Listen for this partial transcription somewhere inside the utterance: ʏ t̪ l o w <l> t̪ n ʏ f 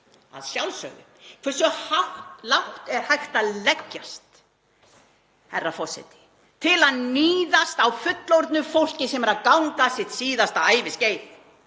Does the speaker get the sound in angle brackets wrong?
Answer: yes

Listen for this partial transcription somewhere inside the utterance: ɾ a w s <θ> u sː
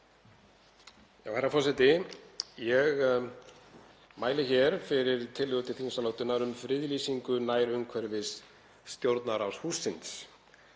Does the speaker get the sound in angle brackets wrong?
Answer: yes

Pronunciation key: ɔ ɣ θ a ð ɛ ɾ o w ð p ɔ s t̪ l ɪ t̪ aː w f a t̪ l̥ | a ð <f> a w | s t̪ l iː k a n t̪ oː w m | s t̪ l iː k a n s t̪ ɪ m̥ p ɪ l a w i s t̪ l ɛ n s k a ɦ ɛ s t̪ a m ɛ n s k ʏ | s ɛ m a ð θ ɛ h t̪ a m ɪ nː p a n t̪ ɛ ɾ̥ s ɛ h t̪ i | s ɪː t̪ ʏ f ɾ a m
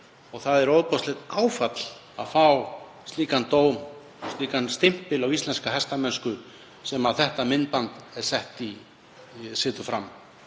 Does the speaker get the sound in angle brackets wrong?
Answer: no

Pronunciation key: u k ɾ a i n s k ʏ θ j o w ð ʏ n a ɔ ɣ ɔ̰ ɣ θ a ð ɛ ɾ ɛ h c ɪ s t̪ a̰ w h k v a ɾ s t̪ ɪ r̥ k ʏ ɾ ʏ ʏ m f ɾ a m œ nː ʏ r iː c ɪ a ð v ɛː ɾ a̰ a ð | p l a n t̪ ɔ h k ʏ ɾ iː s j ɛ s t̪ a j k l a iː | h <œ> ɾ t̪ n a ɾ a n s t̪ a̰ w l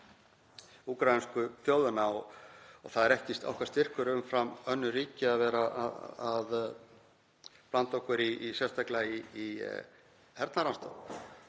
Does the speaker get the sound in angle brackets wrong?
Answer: yes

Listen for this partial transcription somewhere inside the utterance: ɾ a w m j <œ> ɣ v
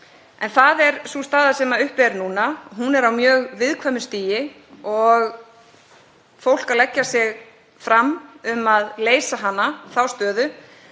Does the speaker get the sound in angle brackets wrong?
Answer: yes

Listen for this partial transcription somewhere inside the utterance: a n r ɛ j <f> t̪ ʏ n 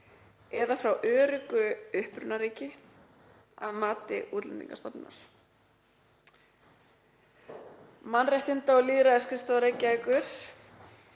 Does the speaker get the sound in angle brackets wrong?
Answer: yes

